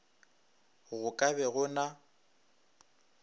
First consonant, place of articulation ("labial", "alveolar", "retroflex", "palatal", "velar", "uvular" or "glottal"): velar